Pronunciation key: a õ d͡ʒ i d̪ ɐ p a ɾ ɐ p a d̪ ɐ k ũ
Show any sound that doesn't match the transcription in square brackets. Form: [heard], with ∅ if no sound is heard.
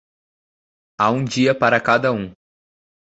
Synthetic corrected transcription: a [ũ] d͡ʒ i [∅] ɐ p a ɾ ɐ [k] a d̪ ɐ [∅] ũ